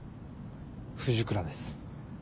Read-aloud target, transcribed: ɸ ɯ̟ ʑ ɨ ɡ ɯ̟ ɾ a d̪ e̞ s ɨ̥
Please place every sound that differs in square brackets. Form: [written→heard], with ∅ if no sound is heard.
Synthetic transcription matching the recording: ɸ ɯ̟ ʑ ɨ [ɡ→k] ɯ̟ ɾ a d̪ e̞ s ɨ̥